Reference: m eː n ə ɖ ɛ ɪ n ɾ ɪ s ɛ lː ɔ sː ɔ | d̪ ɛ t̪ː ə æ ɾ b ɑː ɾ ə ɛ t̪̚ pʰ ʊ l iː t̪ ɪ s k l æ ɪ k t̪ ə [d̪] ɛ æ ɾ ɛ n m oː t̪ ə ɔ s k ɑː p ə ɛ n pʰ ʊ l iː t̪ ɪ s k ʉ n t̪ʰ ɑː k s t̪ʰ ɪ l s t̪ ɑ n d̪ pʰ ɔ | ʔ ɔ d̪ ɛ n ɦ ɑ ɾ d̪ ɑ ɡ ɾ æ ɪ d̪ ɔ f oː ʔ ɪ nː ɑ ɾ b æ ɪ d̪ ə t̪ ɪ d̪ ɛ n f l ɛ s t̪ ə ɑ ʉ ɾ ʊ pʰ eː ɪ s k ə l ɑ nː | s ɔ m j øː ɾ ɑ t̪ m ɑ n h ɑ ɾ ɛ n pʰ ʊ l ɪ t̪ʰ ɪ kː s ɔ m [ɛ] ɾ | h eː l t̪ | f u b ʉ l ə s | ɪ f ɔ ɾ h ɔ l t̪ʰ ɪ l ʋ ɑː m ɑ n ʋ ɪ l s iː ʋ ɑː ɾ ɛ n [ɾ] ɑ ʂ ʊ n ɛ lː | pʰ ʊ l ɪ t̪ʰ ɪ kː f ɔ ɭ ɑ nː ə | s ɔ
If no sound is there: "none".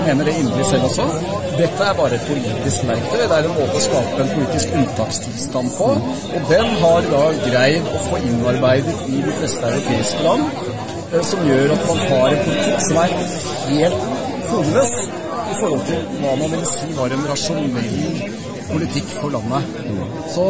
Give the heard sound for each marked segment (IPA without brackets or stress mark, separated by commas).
d̪, æ, ɾ